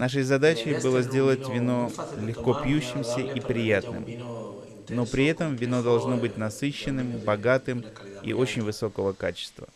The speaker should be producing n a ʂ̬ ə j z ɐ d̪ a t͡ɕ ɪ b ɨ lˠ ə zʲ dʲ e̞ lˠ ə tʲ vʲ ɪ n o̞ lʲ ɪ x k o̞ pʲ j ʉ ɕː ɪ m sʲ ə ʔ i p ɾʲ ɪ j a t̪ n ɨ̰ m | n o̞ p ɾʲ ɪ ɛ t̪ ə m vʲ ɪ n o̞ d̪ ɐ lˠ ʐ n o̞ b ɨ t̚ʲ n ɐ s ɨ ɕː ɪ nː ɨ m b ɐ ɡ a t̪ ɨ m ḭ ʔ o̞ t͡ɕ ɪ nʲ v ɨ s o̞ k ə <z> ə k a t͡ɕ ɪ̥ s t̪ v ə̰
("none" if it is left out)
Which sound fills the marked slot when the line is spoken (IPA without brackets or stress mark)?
v